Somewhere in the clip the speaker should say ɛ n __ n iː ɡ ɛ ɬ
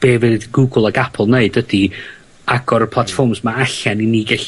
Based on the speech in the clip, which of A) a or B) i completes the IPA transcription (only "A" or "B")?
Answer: B